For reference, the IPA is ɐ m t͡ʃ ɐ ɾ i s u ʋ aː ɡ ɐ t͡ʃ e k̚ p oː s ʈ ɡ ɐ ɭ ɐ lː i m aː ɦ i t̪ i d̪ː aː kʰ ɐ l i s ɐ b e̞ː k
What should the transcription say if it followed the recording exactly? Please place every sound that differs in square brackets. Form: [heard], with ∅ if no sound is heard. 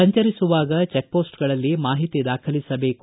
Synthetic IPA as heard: ɐ [ɲ] t͡ʃ ɐ ɾ i s u ʋ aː ɡ ɐ t͡ʃ e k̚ p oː s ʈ ɡ ɐ ɭ ɐ lː i m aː ɦ i t̪ i [d̪] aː kʰ ɐ l i s ɐ b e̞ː k